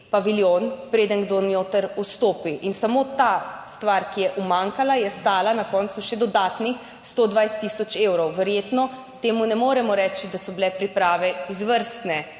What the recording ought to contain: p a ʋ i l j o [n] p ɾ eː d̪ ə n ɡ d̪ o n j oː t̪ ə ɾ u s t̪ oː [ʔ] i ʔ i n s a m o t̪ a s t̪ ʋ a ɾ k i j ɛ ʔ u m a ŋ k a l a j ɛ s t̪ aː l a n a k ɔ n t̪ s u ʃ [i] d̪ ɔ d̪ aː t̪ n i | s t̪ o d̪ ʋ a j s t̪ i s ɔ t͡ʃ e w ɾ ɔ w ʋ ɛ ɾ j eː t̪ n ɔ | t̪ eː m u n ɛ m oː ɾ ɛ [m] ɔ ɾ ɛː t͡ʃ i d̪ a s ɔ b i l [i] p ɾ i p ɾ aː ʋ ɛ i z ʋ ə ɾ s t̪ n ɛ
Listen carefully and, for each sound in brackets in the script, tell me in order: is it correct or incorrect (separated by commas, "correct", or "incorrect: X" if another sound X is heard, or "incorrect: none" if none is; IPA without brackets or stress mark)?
correct, incorrect: p, incorrect: ɛ, correct, incorrect: ɛ